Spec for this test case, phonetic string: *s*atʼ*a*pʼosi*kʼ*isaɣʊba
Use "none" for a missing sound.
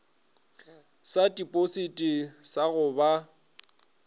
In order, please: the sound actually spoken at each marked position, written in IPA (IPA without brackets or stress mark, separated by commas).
s, i, tʼ